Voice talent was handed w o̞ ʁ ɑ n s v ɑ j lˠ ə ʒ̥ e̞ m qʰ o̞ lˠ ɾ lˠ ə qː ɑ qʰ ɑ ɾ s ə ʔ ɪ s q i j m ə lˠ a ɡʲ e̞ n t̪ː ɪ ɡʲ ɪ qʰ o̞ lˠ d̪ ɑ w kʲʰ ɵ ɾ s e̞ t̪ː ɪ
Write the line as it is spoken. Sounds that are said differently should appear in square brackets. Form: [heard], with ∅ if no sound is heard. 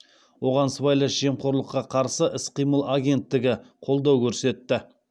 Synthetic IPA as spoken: w o̞ ʁ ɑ n s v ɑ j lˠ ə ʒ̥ e̞ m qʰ o̞ [∅] ɾ lˠ ə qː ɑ qʰ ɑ ɾ s ə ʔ ɪ s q i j m ə lˠ a ɡʲ e̞ n t̪ː ɪ ɡʲ ɪ qʰ o̞ lˠ d̪ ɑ w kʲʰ ɵ ɾ s e̞ t̪ː ɪ